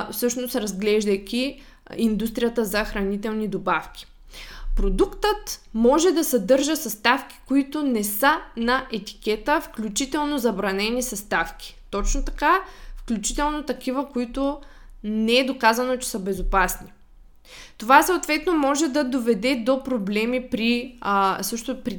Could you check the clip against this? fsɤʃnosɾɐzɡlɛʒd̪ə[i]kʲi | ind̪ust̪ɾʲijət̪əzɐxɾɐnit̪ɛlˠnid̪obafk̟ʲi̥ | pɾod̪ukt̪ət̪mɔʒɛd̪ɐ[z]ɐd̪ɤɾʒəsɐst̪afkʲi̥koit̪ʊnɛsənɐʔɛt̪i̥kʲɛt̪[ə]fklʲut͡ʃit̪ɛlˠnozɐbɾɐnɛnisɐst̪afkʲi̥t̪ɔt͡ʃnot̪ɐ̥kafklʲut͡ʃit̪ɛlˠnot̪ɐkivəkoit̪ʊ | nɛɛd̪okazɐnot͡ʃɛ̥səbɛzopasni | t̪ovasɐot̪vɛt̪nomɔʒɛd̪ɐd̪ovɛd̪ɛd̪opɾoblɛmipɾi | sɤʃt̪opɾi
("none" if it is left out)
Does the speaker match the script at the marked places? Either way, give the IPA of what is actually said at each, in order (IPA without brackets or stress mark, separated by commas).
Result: j, s, ə